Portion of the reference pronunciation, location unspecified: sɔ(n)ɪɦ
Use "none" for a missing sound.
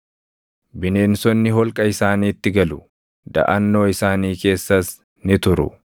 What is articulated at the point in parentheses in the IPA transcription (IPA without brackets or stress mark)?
nː